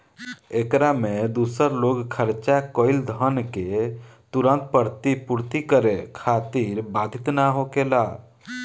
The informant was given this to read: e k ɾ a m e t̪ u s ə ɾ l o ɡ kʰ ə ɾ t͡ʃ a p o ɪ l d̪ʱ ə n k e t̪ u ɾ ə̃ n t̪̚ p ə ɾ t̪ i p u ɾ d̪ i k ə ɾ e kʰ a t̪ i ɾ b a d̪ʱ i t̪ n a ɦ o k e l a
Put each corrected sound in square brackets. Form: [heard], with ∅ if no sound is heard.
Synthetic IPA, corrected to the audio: e k ɾ a m e [d̪] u s ə ɾ l o ɡ kʰ ə ɾ t͡ʃ a [k] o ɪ l d̪ʱ ə n k e t̪ u ɾ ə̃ n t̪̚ p ə ɾ t̪ i p u ɾ [t̪] i k ə ɾ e kʰ a t̪ i ɾ b a d̪ʱ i t̪ n a ɦ o k e l a